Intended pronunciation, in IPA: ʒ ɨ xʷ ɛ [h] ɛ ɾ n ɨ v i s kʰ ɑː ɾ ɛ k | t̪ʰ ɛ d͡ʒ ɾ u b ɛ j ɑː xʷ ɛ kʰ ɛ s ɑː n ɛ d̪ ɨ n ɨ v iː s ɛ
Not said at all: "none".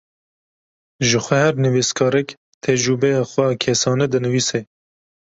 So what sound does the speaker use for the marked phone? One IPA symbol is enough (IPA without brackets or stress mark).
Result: h